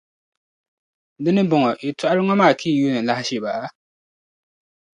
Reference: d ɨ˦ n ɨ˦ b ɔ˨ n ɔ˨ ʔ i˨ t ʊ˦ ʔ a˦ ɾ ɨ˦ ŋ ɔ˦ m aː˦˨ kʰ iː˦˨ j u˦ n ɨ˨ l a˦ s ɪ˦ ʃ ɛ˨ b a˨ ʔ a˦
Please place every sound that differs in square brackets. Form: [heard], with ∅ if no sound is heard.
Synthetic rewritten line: d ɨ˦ n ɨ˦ b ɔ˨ [ŋ] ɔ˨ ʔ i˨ t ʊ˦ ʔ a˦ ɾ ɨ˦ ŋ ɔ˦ m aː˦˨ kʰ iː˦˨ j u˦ n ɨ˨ l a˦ [h] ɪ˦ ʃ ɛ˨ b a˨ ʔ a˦